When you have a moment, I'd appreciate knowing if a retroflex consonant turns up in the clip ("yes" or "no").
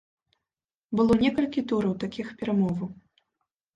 no